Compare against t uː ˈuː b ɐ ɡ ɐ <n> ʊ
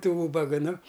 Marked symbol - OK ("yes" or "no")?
yes